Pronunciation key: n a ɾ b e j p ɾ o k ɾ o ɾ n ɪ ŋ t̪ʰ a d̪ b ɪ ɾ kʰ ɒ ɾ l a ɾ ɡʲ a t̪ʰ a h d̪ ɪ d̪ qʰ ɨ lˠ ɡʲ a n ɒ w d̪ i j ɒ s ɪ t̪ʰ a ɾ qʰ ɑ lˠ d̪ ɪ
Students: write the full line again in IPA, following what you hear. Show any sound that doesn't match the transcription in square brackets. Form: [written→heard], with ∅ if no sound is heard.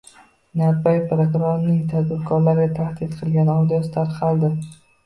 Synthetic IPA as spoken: n a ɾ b [e→a] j p ɾ o k ɾ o ɾ n ɪ ŋ t̪ʰ a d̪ b ɪ ɾ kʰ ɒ ɾ l a ɾ ɡʲ a t̪ʰ a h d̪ ɪ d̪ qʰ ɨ lˠ ɡʲ a n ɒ w d̪ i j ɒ s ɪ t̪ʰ a ɾ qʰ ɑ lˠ d̪ ɪ